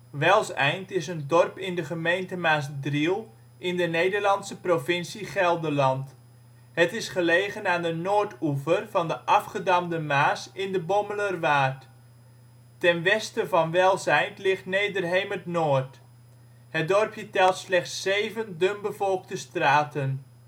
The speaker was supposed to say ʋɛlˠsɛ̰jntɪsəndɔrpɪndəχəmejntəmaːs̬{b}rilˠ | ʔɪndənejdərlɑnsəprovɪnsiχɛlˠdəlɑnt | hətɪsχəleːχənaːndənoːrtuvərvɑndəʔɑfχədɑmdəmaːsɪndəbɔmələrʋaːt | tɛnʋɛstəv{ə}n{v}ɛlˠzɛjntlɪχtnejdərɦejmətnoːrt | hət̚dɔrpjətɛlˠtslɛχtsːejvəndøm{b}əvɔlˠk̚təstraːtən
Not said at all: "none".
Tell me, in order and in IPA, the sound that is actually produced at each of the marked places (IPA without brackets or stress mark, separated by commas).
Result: d, ɑ, ʋ, b